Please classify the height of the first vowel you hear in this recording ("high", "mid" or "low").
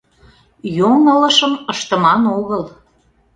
mid